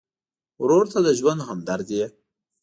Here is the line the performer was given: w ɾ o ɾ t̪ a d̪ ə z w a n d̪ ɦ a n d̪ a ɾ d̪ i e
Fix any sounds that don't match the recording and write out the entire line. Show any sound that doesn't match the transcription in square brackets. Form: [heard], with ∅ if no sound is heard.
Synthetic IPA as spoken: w ɾ o ɾ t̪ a d̪ ə [ʒ] w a n d̪ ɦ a [m] d̪ a ɾ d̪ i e